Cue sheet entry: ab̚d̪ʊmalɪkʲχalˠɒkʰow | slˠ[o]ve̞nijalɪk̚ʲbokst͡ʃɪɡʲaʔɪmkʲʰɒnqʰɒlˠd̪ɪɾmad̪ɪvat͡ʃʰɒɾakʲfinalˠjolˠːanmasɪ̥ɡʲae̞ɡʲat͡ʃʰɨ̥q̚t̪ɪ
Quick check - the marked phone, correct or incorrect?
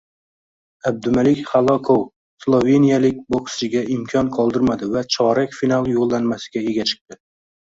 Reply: correct